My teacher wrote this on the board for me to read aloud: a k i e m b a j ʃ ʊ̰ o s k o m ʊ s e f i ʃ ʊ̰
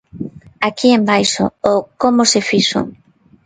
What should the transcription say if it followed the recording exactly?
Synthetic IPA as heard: a k i e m b a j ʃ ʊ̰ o k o m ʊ s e f i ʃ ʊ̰